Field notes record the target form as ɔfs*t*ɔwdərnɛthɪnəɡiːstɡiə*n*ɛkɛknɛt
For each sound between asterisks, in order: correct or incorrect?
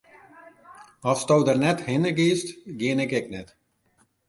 correct, correct

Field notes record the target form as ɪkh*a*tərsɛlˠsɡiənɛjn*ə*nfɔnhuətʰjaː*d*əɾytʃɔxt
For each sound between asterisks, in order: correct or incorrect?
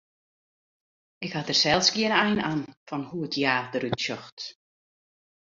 correct, incorrect, correct

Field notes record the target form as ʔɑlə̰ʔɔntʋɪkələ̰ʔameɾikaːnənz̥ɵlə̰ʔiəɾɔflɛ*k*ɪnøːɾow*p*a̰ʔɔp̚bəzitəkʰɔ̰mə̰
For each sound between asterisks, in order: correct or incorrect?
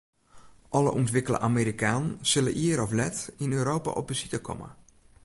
incorrect, correct

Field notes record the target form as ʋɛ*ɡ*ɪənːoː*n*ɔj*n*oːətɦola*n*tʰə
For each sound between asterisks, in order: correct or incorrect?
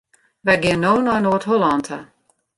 correct, correct, correct, correct

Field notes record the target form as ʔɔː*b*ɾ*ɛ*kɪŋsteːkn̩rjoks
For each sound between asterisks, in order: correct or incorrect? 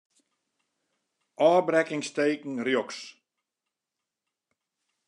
correct, correct

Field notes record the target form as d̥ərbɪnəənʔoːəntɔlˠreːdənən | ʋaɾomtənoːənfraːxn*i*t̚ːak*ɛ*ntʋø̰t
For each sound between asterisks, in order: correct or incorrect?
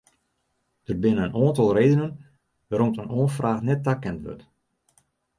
incorrect, correct

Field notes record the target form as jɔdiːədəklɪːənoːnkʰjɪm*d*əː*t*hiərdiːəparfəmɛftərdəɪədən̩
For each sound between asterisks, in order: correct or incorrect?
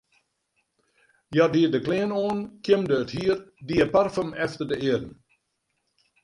correct, correct

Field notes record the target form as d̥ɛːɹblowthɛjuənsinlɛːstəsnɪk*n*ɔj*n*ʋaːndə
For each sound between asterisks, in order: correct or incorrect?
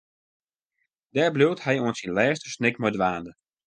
incorrect, incorrect

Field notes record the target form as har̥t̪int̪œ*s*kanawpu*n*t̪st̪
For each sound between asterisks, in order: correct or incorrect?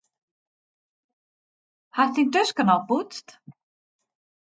correct, incorrect

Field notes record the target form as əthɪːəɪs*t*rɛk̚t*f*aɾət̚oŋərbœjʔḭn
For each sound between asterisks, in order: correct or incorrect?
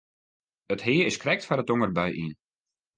incorrect, correct

